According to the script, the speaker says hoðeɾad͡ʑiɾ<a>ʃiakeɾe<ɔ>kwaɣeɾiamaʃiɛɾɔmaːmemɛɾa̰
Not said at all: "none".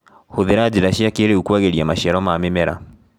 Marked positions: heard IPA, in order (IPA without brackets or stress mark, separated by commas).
a, u